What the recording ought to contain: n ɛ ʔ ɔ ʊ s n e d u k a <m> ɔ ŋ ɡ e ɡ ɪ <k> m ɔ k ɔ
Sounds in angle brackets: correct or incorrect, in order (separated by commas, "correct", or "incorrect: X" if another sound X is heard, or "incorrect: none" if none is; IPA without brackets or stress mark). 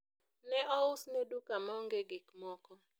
correct, correct